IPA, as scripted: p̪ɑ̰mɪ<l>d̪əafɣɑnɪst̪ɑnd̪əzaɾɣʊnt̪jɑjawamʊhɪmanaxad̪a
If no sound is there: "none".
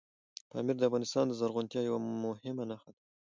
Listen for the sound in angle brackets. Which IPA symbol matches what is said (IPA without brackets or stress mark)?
ɾ